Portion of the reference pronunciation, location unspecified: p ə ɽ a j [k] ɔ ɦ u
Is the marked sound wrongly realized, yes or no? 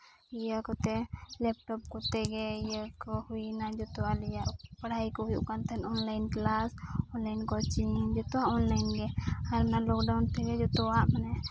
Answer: no